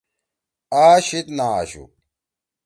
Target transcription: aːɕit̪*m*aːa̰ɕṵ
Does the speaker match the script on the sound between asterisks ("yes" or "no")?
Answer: no